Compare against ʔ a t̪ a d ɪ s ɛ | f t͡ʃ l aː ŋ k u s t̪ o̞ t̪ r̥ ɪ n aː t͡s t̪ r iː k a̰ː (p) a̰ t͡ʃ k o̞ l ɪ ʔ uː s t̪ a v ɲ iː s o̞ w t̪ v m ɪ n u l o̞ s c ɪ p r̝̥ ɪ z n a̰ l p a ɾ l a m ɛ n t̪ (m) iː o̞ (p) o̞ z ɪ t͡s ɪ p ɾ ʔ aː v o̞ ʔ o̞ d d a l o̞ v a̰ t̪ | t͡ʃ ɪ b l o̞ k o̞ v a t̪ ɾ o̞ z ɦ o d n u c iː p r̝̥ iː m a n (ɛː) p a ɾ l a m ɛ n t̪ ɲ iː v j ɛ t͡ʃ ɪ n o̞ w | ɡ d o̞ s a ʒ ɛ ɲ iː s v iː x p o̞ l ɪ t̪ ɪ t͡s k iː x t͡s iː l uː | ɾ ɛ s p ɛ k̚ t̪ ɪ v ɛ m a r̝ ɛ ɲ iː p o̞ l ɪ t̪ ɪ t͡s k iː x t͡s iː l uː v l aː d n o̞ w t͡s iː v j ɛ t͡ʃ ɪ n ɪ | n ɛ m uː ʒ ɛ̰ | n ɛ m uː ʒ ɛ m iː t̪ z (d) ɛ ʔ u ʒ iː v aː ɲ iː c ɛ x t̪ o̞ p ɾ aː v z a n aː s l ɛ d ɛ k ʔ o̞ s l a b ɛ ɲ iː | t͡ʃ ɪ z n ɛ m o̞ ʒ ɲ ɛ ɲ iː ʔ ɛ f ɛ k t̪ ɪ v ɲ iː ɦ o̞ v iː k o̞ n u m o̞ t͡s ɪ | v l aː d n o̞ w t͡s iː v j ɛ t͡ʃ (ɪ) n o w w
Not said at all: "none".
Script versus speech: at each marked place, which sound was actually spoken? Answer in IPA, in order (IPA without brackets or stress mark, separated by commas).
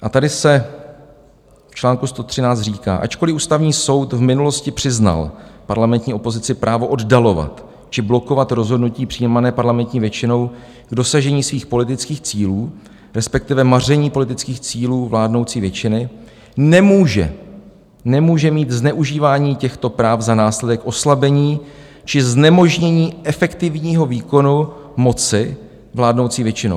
ʔ, ɲ, p, ɛː, n, ɪ